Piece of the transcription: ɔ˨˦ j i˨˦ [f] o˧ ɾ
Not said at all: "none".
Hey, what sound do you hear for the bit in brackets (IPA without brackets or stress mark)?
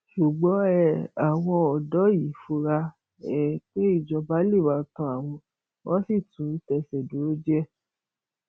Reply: f